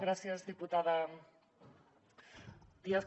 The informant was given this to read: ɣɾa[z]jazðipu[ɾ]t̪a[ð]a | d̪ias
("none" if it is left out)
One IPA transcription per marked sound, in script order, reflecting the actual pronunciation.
s, none, ð

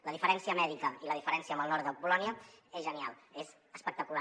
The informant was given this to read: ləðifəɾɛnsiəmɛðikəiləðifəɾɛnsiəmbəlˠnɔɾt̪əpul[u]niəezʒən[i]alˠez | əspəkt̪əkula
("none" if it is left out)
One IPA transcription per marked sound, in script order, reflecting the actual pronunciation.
ɔ, i

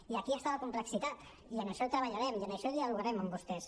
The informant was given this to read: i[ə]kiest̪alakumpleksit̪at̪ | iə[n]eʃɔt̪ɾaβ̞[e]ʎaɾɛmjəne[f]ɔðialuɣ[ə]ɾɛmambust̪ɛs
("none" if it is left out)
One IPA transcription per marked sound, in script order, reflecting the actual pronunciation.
a, n, a, ʃ, a

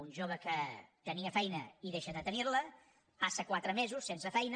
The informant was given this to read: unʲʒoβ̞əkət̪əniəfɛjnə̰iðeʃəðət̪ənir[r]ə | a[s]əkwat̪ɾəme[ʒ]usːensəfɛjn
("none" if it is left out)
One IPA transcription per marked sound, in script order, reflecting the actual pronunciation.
l, s, z

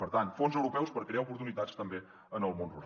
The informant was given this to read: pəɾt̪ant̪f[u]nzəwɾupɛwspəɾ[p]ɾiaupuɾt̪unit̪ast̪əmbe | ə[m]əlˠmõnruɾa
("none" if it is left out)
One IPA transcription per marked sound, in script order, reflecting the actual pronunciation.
o, k, n

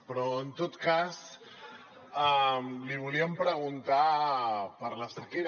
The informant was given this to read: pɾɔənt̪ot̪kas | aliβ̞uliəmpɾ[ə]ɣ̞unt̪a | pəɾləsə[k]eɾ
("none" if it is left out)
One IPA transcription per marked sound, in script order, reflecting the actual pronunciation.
ə, k

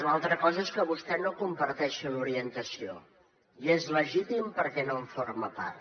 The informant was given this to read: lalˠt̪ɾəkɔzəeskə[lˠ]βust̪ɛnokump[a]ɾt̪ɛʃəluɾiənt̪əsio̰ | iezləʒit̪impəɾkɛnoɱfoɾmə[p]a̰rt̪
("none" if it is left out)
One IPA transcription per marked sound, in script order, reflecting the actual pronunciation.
none, ə, p

